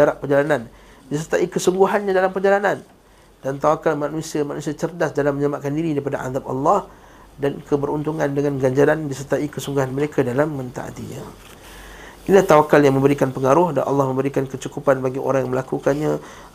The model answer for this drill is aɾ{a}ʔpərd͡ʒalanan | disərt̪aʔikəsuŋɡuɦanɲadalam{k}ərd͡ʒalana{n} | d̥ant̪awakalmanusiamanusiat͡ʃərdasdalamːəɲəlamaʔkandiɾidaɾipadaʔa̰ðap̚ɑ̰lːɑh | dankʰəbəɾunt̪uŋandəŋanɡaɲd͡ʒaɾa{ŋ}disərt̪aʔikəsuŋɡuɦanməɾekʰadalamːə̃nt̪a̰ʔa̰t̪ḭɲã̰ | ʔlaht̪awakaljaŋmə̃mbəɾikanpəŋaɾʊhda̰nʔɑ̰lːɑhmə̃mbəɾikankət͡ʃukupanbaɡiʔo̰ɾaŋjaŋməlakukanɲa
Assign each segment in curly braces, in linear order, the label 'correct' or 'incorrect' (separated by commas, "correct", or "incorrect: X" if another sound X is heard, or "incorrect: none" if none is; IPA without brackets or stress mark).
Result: correct, incorrect: p, correct, incorrect: n